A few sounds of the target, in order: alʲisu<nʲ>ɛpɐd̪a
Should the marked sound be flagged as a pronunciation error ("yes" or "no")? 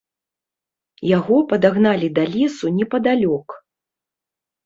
no